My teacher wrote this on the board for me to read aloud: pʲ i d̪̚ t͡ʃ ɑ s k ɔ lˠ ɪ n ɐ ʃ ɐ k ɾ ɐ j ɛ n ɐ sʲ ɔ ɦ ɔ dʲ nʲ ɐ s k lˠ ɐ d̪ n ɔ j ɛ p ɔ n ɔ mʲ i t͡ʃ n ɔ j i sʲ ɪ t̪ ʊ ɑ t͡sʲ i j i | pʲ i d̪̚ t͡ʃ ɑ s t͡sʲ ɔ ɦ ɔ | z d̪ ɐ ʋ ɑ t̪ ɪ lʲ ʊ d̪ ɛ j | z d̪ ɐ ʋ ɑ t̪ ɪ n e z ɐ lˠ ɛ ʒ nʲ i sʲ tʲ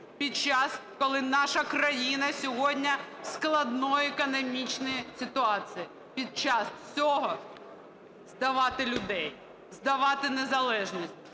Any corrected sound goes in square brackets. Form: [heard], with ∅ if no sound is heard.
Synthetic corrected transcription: pʲ i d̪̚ t͡ʃ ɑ s k ɔ lˠ ɪ n [ɑ] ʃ ɐ k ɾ ɐ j [i] n ɐ sʲ ɔ ɦ ɔ dʲ nʲ ɐ s k lˠ ɐ d̪ n ɔ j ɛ [k] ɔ n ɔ mʲ i t͡ʃ n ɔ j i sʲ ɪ t̪ ʊ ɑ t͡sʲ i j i | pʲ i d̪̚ t͡ʃ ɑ s t͡sʲ ɔ ɦ ɔ | z d̪ ɐ ʋ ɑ t̪ ɪ lʲ ʊ d̪ ɛ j | z d̪ ɐ ʋ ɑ t̪ ɪ n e z ɐ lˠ ɛ ʒ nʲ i sʲ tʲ

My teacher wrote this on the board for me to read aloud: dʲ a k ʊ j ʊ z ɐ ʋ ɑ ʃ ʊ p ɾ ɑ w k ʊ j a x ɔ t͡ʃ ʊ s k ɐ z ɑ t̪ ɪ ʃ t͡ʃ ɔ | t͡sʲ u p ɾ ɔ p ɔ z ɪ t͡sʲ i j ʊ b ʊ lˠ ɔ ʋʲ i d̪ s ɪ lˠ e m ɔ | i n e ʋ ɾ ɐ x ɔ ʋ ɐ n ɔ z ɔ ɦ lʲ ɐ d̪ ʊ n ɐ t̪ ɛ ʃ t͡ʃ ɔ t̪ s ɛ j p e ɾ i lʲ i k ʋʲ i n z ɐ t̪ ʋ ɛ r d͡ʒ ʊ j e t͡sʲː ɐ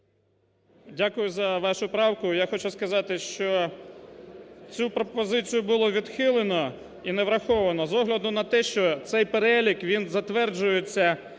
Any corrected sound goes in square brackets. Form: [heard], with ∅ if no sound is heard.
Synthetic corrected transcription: dʲ a k ʊ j ʊ z ɐ ʋ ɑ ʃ ʊ p ɾ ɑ w k ʊ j a x ɔ t͡ʃ ʊ s k ɐ z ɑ t̪ ɪ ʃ t͡ʃ ɔ | t͡sʲ u p ɾ ɔ p ɔ z ɪ t͡sʲ i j ʊ b ʊ lˠ ɔ ʋʲ i d̪ [x] ɪ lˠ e [n] ɔ | i n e ʋ ɾ ɐ x ɔ ʋ ɐ n ɔ z ɔ ɦ lʲ ɐ d̪ ʊ n ɐ t̪ ɛ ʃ t͡ʃ ɔ t̪ s ɛ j p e ɾ [ɛ] lʲ i k ʋʲ i n z ɐ t̪ ʋ ɛ r d͡ʒ ʊ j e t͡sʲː ɐ

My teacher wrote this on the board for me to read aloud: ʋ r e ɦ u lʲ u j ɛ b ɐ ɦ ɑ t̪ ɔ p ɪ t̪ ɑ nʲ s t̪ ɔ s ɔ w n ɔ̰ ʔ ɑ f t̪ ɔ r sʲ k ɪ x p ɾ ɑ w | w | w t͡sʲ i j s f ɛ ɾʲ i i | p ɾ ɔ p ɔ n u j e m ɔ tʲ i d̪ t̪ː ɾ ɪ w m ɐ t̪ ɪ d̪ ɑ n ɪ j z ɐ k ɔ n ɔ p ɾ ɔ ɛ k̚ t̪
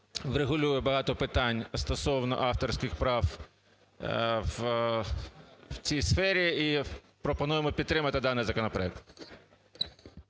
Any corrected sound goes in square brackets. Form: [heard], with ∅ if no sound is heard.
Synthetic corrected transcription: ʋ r e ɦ [ʊ] lʲ u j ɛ b ɐ ɦ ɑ t̪ ɔ p ɪ t̪ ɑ nʲ s t̪ ɔ s ɔ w n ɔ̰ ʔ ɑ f t̪ ɔ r sʲ k ɪ x p ɾ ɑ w | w | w t͡sʲ i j s f ɛ ɾʲ i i | p ɾ ɔ p ɔ n u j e m ɔ [pʲ] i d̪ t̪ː ɾ ɪ [∅] m ɐ t̪ ɪ d̪ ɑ n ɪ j z ɐ k ɔ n ɔ p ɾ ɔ ɛ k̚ t̪

